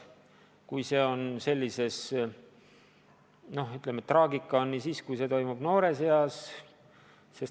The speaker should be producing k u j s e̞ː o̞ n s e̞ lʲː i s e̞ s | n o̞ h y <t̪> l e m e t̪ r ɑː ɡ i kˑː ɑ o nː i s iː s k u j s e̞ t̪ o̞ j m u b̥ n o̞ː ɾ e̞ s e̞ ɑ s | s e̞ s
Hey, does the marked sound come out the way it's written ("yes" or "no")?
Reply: yes